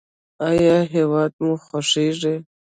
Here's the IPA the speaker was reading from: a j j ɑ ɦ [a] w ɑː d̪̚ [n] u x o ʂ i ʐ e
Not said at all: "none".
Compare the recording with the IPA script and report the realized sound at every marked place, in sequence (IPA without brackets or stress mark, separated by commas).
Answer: e, m